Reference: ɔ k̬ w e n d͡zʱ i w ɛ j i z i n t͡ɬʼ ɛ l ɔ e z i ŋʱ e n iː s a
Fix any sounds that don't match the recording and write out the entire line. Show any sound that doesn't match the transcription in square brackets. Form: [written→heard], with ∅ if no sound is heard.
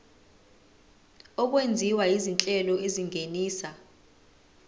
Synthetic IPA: ɔ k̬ w e n d͡zʱ i w [ɛ→a] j i z i n t͡ɬʼ ɛ l ɔ e z i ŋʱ e n iː s a